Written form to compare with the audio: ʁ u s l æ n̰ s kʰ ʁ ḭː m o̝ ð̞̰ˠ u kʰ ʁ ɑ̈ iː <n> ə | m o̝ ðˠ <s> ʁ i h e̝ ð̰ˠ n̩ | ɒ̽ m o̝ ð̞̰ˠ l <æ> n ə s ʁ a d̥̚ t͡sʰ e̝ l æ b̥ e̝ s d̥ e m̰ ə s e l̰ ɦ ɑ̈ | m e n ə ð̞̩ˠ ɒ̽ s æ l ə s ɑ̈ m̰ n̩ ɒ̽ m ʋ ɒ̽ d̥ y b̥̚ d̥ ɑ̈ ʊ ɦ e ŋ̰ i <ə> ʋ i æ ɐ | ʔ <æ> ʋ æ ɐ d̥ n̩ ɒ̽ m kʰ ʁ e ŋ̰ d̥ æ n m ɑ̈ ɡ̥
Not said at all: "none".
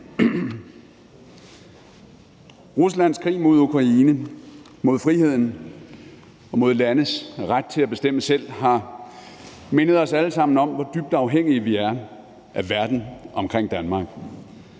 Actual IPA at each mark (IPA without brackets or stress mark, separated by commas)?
n, f, æ, ə, æ